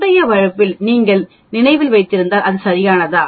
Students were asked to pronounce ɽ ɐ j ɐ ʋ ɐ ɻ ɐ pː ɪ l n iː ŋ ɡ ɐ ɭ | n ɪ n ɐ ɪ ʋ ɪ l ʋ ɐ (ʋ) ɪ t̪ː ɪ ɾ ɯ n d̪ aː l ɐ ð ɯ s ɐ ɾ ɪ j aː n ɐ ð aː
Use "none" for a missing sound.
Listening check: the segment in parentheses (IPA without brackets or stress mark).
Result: none